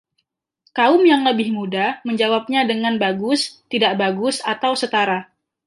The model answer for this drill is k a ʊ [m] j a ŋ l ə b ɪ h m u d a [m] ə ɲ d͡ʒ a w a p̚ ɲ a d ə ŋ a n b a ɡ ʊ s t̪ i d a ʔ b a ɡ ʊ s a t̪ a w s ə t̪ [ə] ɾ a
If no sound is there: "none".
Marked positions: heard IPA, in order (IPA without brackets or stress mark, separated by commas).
m, m, a